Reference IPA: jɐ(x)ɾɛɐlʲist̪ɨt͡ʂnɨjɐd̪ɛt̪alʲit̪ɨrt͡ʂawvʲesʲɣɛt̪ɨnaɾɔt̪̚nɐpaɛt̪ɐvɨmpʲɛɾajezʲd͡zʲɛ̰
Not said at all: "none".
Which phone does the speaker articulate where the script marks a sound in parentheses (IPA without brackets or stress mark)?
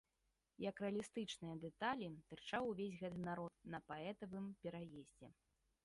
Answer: k